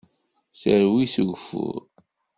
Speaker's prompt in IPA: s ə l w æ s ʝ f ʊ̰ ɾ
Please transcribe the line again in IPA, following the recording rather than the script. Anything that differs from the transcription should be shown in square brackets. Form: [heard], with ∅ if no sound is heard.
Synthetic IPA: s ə [ɾ] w [i] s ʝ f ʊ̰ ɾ